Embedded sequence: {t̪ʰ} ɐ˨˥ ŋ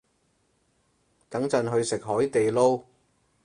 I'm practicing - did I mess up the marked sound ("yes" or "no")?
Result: yes